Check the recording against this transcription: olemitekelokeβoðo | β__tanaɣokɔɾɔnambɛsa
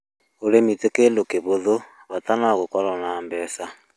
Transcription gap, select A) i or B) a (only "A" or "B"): B